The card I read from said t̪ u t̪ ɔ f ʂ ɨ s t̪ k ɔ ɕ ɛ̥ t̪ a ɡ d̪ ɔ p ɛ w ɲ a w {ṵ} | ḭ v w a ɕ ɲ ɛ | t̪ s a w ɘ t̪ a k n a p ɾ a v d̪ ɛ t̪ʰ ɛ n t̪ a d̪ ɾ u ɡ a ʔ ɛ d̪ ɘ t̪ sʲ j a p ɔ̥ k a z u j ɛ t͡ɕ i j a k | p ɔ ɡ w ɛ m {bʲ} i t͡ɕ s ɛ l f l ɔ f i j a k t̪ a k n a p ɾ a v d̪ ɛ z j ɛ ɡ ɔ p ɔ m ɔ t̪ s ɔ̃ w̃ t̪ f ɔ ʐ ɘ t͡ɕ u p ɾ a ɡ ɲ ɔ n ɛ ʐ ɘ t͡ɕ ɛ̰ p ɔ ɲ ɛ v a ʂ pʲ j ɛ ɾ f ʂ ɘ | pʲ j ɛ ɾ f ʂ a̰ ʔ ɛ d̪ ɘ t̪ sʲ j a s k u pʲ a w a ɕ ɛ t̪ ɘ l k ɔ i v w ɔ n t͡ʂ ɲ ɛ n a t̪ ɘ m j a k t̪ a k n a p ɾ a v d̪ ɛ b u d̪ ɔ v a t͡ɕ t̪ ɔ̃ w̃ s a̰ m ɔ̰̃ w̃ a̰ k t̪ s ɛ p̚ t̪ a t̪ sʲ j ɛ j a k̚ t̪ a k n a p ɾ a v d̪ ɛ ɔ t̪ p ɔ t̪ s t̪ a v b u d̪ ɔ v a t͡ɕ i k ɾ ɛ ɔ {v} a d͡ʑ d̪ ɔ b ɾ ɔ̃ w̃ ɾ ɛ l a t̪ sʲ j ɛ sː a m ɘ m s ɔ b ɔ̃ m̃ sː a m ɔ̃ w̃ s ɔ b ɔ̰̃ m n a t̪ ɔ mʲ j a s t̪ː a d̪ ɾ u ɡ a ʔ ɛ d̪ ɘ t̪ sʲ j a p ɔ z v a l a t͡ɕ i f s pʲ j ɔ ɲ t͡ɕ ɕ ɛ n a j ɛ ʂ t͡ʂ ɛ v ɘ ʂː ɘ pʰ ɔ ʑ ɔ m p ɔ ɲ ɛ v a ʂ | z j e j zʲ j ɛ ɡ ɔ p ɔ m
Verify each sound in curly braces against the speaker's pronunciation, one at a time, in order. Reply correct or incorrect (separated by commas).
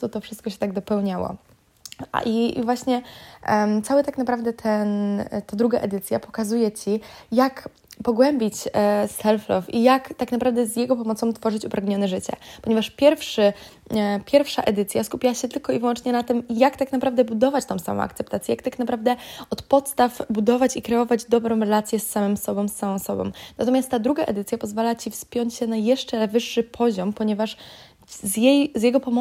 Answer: incorrect, correct, correct